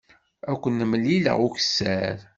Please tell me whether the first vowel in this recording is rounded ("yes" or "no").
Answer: no